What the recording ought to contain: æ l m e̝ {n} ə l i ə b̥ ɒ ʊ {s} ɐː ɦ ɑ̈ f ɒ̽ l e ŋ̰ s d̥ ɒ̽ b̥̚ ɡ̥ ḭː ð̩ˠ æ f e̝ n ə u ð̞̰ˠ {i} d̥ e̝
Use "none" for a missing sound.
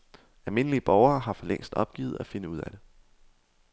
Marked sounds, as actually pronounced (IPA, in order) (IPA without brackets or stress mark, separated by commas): n, none, æ